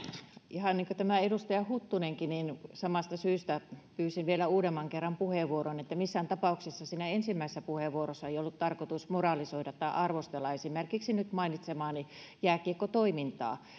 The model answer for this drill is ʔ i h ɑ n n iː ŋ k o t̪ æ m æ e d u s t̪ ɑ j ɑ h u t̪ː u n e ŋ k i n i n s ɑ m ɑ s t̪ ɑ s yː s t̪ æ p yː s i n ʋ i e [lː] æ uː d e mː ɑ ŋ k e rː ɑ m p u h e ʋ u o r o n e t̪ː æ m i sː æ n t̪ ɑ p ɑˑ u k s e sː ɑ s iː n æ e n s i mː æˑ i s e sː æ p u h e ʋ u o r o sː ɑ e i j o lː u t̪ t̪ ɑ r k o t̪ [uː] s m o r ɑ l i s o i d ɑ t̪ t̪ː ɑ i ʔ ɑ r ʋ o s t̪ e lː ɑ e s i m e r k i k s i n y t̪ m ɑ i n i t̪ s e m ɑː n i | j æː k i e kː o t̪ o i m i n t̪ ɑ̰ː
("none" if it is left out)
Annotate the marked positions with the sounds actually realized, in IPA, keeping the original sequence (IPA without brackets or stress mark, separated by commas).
l, u